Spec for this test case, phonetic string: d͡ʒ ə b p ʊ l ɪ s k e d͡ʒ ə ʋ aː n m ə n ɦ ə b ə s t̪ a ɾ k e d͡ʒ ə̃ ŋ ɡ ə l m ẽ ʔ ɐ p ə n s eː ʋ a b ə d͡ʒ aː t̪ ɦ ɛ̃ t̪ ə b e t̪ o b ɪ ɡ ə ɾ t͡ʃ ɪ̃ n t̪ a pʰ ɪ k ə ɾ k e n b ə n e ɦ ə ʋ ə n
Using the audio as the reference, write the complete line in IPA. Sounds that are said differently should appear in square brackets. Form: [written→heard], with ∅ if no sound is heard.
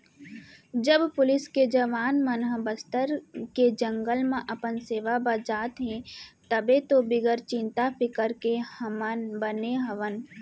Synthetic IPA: d͡ʒ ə b p ʊ l ɪ s k e d͡ʒ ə ʋ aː n m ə n ɦ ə b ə s t̪ [a→ə] ɾ k e d͡ʒ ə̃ ŋ ɡ ə l m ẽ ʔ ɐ p ə n s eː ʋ a b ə d͡ʒ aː t̪ ɦ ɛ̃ t̪ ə b e t̪ o b ɪ ɡ ə ɾ t͡ʃ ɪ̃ n t̪ a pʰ ɪ k ə ɾ k e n b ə n e ɦ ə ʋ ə n